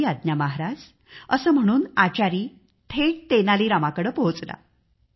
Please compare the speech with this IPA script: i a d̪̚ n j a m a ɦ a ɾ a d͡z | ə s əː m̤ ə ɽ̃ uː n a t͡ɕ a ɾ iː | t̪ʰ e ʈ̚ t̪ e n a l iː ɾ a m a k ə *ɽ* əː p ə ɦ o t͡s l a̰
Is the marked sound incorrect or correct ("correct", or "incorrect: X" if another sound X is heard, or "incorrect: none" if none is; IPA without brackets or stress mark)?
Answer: correct